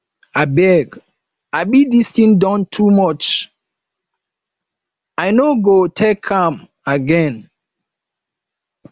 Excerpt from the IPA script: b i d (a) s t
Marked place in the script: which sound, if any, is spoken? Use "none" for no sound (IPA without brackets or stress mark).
i